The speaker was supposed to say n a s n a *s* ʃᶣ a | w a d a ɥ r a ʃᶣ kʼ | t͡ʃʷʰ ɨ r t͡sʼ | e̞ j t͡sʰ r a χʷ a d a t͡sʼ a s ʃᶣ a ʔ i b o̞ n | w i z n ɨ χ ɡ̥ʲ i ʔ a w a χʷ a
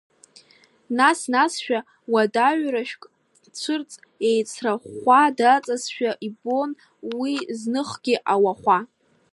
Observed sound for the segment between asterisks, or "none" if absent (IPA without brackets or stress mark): s